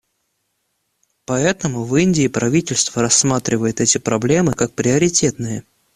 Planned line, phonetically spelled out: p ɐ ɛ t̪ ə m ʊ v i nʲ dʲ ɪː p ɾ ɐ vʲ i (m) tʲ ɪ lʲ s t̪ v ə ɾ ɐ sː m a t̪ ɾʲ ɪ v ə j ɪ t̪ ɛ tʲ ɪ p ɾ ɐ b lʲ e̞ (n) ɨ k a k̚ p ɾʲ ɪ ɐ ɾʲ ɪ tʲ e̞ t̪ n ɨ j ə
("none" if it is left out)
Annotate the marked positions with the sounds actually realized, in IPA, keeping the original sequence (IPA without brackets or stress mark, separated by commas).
none, m